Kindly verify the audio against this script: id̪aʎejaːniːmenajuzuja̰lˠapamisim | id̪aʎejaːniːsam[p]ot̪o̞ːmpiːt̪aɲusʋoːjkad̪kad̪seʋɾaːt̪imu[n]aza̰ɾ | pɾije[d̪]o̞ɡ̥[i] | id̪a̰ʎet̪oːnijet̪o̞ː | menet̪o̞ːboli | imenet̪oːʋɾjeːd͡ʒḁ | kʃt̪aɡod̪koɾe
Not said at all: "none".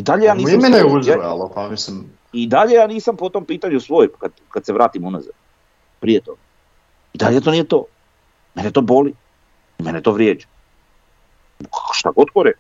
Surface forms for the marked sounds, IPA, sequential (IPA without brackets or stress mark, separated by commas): p, n, t̪, a